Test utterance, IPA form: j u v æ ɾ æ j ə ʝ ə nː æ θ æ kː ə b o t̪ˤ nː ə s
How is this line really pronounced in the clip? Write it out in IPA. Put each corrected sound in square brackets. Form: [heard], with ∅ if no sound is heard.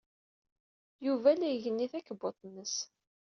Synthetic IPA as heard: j u v æ [l] æ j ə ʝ ə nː [i] θ æ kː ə b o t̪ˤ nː ə s